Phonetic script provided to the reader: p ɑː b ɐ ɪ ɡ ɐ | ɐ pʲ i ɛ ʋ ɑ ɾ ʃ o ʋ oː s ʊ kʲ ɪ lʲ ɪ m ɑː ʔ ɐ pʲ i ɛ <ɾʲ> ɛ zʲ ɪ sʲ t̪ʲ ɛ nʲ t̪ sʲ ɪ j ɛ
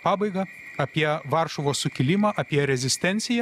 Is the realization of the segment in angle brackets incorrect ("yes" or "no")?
no